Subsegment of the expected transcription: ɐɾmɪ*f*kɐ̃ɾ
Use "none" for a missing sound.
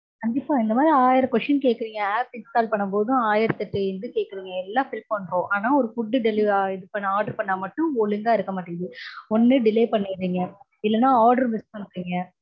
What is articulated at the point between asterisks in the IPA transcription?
s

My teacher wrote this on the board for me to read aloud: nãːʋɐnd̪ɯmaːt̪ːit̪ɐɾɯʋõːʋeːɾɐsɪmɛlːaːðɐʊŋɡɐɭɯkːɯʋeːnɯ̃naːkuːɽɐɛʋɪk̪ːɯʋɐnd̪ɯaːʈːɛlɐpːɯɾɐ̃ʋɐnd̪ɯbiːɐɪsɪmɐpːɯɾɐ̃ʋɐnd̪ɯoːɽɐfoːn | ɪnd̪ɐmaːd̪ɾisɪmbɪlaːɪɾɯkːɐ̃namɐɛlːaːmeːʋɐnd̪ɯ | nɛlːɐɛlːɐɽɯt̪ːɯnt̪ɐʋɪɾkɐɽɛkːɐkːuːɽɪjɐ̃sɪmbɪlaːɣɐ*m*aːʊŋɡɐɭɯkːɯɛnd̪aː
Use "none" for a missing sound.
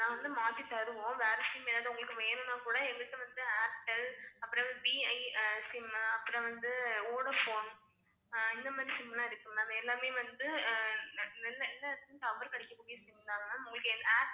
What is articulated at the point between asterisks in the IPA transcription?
n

